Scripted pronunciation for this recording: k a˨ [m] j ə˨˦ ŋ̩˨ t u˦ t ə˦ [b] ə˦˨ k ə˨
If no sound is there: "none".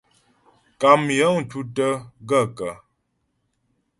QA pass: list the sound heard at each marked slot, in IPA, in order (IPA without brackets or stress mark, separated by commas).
m, ɡ